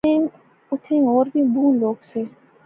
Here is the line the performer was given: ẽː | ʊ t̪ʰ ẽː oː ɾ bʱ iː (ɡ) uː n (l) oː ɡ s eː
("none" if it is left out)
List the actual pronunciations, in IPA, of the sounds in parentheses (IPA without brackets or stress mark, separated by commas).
b, l